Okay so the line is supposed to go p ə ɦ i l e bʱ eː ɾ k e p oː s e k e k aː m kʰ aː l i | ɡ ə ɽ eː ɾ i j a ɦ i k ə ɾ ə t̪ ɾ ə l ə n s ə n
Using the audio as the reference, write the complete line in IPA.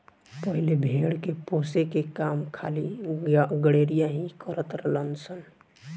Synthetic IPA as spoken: p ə ɦ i l e bʱ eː ɽ k e p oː s e k e k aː m kʰ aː l i | ɡ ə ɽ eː ɾ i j a ɦ i k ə ɾ ə t̪ ɾ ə l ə n s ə n